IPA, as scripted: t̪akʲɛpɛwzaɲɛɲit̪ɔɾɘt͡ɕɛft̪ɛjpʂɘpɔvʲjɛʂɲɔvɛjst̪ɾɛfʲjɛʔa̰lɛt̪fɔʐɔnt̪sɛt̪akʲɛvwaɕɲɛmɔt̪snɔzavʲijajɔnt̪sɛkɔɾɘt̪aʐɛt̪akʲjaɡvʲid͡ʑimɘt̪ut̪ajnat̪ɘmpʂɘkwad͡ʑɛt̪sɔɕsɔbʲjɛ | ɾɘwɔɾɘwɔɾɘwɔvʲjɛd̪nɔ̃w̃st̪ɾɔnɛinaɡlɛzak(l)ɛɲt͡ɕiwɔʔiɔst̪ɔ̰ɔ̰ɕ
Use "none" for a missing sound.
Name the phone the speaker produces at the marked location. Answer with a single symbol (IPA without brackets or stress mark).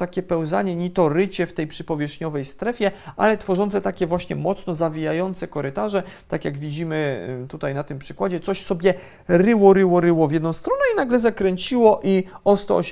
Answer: ɾ